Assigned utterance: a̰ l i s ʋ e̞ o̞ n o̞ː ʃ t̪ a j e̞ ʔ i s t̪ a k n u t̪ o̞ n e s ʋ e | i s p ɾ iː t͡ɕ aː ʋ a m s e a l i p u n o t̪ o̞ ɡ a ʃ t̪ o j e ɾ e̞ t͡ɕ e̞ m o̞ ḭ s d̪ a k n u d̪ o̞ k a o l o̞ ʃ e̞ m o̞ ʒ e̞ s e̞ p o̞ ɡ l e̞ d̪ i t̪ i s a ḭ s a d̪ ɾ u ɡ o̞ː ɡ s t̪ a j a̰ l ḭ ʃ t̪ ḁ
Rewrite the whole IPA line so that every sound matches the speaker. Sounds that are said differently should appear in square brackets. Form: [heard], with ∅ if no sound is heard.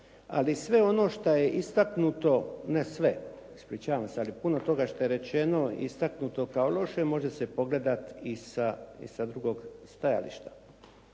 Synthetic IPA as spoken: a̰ l i s ʋ e̞ o̞ n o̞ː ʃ t̪ a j e̞ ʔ i s t̪ a k n u t̪ o̞ n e s ʋ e | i s p ɾ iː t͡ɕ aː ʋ a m s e a l i p u n o t̪ o̞ ɡ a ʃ t̪ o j e ɾ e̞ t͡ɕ e̞ [n] o̞ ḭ s [t̪] a k n u [t̪] o̞ k a o l o̞ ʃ e̞ m o̞ ʒ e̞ s e̞ p o̞ ɡ l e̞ d̪ [a] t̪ i s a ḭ s a d̪ ɾ u ɡ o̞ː ɡ s t̪ a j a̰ l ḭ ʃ t̪ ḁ